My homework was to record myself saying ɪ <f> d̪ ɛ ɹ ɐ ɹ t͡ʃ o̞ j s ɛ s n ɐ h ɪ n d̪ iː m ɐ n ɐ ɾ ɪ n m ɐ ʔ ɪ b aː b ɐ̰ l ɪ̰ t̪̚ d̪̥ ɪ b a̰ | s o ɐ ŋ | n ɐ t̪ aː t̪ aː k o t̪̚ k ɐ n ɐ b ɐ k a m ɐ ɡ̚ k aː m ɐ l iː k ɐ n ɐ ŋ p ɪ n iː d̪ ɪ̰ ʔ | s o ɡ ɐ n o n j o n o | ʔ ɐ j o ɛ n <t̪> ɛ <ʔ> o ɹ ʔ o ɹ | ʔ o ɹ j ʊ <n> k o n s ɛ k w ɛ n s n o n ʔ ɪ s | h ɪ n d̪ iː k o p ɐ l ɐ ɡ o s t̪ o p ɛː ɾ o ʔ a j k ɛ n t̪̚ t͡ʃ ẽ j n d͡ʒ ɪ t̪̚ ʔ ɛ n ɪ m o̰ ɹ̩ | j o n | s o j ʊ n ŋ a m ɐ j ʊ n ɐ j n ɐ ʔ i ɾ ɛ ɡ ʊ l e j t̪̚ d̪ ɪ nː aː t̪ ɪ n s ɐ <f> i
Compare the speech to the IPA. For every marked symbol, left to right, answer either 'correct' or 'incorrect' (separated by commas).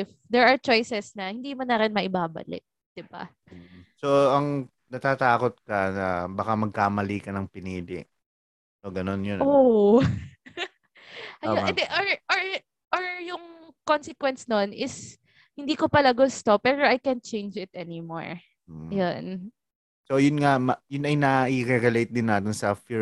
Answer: correct, incorrect, correct, incorrect, correct